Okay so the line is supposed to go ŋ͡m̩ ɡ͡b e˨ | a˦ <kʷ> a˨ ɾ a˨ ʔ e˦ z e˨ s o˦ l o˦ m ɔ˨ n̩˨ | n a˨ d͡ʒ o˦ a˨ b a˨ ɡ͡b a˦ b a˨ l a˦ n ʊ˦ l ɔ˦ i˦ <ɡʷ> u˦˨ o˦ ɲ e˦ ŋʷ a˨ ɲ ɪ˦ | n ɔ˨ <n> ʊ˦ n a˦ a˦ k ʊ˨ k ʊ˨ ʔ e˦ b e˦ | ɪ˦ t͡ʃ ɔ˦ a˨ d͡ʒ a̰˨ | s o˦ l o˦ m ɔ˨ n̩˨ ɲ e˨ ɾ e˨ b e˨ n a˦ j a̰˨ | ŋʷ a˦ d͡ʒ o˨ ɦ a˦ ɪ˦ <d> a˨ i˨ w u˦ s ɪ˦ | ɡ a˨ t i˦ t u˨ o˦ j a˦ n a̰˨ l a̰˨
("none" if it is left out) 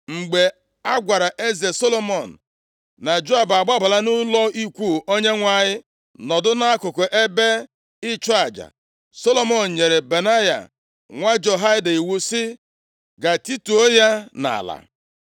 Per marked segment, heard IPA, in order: ɡʷ, kʷ, d, d

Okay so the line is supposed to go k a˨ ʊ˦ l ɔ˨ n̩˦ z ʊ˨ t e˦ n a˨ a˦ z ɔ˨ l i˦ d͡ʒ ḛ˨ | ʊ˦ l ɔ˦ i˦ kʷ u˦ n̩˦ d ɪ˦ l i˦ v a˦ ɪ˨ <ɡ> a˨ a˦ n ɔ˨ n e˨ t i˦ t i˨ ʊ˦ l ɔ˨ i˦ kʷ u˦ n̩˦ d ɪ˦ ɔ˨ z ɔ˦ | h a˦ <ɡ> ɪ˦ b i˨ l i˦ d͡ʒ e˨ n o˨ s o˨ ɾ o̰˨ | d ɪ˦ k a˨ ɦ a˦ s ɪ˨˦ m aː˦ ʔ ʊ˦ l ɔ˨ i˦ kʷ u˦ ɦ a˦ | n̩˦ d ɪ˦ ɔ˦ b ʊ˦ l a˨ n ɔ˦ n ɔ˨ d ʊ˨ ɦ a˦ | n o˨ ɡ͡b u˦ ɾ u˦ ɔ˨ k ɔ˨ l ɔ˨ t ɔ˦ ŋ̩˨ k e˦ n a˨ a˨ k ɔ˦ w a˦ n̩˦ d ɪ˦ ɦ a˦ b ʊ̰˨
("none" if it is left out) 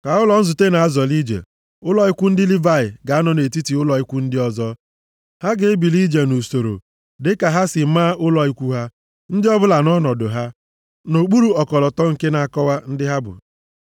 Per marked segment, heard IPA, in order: ɡ, ɡ

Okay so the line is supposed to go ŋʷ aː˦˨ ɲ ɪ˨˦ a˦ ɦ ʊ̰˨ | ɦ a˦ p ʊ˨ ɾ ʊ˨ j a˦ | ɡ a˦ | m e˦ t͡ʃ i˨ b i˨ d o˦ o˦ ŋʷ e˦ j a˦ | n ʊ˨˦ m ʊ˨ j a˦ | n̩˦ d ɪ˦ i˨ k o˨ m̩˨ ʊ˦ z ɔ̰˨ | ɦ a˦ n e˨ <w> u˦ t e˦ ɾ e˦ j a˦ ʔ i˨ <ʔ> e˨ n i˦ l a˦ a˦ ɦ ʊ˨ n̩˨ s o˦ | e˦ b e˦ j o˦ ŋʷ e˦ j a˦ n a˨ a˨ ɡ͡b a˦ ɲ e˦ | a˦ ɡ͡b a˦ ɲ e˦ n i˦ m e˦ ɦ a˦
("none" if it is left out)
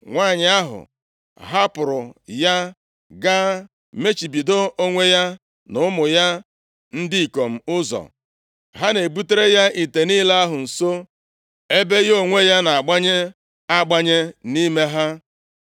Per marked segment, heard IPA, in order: b, t

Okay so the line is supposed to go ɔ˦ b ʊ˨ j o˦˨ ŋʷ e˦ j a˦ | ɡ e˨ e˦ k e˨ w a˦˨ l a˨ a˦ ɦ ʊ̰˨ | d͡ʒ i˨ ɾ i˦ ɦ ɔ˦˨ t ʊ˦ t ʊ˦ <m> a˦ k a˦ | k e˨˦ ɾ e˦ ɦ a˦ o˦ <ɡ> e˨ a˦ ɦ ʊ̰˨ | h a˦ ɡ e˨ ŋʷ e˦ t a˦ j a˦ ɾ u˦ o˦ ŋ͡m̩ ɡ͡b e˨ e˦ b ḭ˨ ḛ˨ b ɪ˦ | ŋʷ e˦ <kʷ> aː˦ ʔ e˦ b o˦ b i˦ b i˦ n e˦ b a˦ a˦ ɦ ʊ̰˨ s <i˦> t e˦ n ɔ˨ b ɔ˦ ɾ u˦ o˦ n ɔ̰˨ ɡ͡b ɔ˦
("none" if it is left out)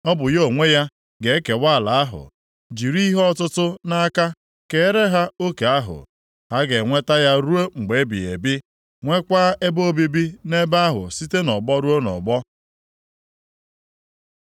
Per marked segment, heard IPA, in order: n, k, kʷ, i˦

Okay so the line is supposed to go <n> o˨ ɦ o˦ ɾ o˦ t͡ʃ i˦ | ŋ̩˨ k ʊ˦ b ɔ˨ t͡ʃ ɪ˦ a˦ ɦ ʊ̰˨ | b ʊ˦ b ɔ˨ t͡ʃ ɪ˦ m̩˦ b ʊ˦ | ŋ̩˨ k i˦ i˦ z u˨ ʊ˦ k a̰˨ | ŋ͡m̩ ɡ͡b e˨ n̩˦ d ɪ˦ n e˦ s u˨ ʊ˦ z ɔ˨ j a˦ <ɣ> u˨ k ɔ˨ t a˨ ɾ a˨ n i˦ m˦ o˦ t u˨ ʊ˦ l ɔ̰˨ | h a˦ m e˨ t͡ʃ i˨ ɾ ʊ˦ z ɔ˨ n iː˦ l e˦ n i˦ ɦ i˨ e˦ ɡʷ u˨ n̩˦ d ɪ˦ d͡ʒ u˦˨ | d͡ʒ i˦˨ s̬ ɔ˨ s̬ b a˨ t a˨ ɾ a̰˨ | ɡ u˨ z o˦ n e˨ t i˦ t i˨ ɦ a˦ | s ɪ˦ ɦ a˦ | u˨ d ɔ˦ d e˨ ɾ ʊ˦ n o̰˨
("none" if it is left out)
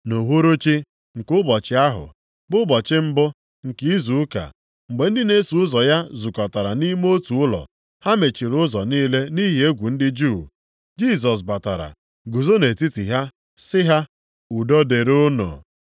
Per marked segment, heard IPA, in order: n, z

